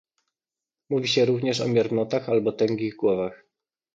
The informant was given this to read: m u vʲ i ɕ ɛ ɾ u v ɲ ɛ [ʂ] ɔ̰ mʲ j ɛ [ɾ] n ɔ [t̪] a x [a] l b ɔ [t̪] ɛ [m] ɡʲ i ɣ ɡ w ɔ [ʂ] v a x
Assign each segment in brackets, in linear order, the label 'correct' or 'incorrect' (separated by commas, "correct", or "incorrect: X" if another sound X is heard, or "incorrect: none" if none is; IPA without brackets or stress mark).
correct, correct, correct, correct, correct, incorrect: ŋ, incorrect: none